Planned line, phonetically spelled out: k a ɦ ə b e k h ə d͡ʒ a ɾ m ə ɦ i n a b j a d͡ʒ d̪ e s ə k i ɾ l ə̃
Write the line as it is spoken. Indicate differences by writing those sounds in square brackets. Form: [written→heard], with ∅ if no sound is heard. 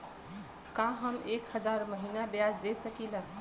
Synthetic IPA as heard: k a ɦ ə [b→m] e k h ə d͡ʒ a ɾ m ə ɦ i n a b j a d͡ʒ d̪ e s ə k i [ɾ→∅] l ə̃